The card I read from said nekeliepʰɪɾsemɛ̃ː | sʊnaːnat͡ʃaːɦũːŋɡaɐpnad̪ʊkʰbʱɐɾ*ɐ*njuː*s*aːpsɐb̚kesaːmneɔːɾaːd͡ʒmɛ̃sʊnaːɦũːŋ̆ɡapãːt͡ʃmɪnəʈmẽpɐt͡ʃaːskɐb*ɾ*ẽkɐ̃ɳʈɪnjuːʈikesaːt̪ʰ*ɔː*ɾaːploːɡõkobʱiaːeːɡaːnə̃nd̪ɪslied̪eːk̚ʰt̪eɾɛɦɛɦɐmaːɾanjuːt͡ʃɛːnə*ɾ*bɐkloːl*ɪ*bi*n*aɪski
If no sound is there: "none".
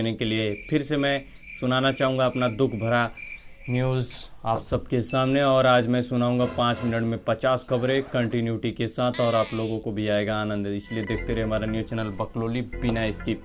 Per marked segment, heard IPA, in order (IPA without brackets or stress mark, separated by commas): a, z, ɾ, ɔː, l, i, n